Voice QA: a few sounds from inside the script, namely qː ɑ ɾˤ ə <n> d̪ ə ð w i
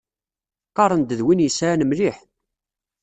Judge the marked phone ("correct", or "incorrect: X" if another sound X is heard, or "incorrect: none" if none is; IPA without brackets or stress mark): correct